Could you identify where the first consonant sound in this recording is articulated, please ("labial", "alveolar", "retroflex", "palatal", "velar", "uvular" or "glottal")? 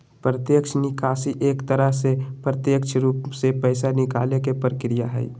labial